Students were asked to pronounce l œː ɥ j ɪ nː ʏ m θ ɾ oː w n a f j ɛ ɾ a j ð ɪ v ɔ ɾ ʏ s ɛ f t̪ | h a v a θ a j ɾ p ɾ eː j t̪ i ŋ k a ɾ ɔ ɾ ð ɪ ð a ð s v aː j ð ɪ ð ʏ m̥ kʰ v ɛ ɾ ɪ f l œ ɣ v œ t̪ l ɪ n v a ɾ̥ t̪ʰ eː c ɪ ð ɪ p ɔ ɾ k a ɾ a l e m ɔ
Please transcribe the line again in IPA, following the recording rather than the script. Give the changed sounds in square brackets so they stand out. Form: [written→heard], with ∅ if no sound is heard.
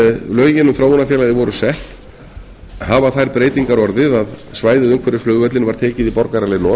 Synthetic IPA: l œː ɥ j ɪ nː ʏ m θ ɾ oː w n a f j ɛ [ɾ→l] a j ð ɪ v ɔ ɾ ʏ s ɛ [f→h] t̪ | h a v a θ a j ɾ p ɾ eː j t̪ i ŋ k a ɾ ɔ ɾ ð ɪ ð a ð s v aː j ð ɪ ð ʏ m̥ kʰ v ɛ ɾ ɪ f l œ ɣ v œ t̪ l ɪ n v a ɾ̥ t̪ʰ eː c ɪ ð [ɪ→i] p ɔ ɾ k a ɾ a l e [m→n] ɔ

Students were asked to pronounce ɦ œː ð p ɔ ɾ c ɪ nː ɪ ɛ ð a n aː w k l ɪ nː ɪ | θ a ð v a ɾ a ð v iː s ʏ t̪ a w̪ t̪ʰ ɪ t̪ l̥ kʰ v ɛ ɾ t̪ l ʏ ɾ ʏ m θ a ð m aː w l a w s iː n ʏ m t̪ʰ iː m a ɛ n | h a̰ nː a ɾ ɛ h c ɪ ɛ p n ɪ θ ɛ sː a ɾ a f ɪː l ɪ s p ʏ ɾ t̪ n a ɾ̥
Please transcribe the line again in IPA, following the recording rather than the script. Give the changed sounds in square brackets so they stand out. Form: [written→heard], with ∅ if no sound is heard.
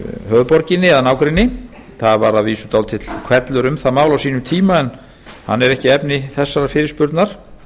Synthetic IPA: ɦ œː ð p ɔ ɾ c ɪ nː ɪ ɛ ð a n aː w k [l→ɾ] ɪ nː ɪ | θ a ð v a ɾ a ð v iː s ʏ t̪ a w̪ t̪ʰ ɪ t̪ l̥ kʰ v ɛ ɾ t̪ l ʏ ɾ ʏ m θ a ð m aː w l a w s iː n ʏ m t̪ʰ iː m a ɛ n | h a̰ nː [a→ɛ] ɾ ɛ h c ɪ ɛ p n ɪ θ ɛ sː a ɾ a f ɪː [l→ɾ] ɪ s p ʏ ɾ t̪ n a ɾ̥

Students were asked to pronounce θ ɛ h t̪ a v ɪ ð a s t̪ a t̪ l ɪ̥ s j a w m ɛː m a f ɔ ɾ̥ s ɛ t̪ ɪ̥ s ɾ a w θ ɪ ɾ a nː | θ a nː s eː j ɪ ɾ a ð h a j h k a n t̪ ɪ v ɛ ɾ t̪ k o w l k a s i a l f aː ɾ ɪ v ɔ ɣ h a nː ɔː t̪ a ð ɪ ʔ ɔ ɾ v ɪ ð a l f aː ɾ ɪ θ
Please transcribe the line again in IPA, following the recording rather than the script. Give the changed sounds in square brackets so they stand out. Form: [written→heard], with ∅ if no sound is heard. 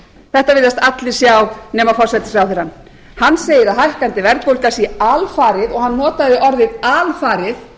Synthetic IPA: θ ɛ h t̪ a v ɪ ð a s t̪ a t̪ l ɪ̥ s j a w [m→n] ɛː m a f ɔ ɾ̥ s ɛ t̪ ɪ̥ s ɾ a w θ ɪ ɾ a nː | [θ→h] a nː s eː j ɪ ɾ a ð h a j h k a n t̪ ɪ v ɛ ɾ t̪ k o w l k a s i a l f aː ɾ ɪ [v→ð] ɔ ɣ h a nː ɔː t̪ a ð ɪ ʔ ɔ ɾ [v→ð] ɪ ð a l f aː ɾ ɪ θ

